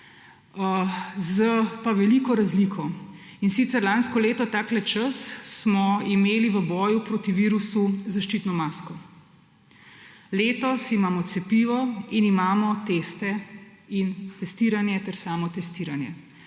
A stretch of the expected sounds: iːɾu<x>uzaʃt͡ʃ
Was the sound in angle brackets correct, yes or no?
no